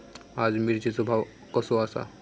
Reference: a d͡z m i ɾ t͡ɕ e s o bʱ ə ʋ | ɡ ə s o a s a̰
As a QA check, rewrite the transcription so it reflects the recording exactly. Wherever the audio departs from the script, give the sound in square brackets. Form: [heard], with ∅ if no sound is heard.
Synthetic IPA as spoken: a d͡z m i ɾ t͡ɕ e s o bʱ [a] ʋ | [k] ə s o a s a̰